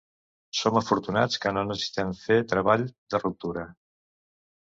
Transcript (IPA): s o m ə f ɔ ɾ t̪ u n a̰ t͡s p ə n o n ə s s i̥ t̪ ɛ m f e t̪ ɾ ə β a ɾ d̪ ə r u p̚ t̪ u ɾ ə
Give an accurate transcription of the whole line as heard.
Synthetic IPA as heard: s o m ə f u ɾ t̪ u n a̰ t͡s k ə n o n ə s s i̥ t̪ ɛ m f e t̪ ɾ ə β a ʎ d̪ ə r u p̚ t̪ u ɾ ə